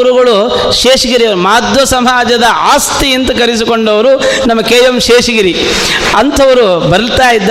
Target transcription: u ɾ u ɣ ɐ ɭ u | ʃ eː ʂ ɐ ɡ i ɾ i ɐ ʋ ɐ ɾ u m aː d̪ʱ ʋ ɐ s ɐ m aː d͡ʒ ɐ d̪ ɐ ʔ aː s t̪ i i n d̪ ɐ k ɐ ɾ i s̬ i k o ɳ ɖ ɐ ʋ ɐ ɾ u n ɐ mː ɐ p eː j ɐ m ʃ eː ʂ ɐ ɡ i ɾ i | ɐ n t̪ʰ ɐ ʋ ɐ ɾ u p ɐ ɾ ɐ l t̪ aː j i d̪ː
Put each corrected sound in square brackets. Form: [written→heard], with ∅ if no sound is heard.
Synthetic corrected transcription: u ɾ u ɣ ɐ ɭ u | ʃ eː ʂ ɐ ɡ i ɾ i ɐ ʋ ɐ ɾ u m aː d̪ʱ ʋ ɐ s ɐ m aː d͡ʒ ɐ d̪ ɐ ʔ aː s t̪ i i n [d̪→t̪] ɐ k ɐ ɾ i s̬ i k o ɳ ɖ ɐ ʋ ɐ ɾ u n ɐ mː ɐ [p→k] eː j ɐ m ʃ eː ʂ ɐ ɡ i ɾ i | ɐ n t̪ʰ ɐ ʋ ɐ ɾ u [p→b] ɐ ɾ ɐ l t̪ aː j i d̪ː